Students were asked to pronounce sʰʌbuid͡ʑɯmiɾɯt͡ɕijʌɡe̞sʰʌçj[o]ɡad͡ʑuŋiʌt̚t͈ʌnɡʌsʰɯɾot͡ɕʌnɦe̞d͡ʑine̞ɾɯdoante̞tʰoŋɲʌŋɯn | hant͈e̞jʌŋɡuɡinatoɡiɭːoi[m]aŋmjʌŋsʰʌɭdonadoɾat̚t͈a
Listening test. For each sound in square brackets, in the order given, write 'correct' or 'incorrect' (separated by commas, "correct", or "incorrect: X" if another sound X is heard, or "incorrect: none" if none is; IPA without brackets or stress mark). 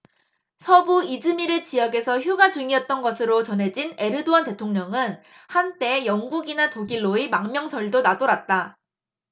incorrect: u, correct